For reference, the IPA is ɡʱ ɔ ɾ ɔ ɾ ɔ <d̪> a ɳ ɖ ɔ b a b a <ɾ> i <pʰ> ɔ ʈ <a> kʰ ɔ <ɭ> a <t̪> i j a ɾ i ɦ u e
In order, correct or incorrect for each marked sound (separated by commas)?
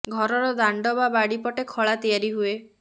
correct, incorrect, incorrect, incorrect, correct, correct